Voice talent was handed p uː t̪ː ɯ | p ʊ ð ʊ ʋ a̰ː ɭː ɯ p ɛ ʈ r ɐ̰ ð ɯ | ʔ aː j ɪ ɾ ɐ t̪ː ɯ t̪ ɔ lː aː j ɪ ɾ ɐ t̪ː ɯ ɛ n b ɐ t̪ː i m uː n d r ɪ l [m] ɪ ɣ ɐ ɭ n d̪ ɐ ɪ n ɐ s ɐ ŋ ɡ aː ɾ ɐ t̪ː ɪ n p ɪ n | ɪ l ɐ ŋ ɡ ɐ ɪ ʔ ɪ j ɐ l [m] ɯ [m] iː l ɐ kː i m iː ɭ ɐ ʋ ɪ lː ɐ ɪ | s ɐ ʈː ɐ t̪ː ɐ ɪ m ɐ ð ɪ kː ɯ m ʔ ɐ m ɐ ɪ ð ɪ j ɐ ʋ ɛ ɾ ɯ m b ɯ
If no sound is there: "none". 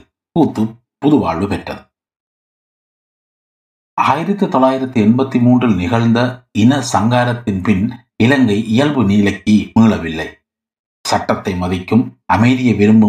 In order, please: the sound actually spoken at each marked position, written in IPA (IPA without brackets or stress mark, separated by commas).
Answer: n, b, n